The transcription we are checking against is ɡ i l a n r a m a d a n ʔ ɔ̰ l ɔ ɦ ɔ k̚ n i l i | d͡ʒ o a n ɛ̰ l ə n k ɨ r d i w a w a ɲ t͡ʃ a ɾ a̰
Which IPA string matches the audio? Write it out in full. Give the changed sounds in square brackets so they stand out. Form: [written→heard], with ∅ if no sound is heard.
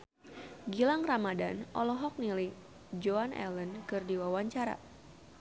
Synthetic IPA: ɡ i l a [n→ŋ] r a m a d a n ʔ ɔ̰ l ɔ ɦ ɔ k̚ n i l i | d͡ʒ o a n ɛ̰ l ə n k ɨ r d i w a w a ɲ t͡ʃ a ɾ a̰